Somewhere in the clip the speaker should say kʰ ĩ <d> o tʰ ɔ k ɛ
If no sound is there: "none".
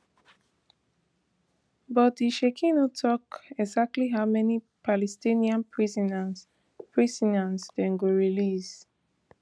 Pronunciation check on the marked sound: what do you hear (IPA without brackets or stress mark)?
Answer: n